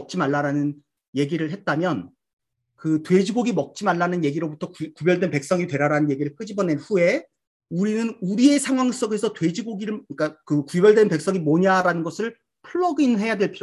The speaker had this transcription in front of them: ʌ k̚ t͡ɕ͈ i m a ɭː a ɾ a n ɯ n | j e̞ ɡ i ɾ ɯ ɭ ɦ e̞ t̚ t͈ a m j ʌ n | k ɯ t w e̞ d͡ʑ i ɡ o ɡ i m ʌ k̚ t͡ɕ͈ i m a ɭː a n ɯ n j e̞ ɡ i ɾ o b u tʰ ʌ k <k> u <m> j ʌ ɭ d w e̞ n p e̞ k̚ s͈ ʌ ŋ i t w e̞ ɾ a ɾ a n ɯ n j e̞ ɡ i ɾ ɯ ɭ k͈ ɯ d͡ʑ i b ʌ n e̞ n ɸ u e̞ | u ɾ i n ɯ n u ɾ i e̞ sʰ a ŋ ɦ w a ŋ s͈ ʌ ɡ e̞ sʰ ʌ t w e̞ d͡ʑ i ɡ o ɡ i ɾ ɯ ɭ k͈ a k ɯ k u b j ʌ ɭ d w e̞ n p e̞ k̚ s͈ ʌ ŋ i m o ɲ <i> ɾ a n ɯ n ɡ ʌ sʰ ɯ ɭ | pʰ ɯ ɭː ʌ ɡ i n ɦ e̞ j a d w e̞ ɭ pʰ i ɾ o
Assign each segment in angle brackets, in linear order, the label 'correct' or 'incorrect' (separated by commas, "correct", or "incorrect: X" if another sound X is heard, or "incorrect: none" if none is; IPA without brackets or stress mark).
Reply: correct, incorrect: b, incorrect: a